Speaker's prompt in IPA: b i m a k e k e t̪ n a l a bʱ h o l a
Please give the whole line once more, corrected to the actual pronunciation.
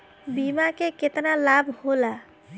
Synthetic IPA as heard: b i m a k e k e t̪ n a l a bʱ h o l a